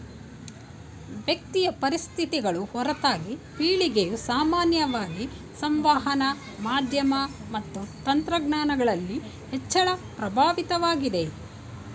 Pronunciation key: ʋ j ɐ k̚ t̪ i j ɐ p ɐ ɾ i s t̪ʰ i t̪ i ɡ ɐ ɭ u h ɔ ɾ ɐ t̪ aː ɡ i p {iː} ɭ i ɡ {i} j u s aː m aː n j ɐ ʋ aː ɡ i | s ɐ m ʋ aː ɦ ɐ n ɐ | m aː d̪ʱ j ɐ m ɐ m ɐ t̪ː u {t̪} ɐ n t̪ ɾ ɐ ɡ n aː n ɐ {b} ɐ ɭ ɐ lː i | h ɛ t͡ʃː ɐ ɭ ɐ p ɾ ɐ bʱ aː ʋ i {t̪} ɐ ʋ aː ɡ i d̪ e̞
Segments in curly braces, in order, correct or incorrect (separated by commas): correct, incorrect, correct, incorrect, correct